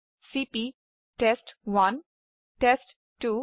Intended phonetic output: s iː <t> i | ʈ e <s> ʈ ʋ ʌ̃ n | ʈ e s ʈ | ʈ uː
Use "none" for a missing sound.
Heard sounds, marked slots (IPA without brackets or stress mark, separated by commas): p, s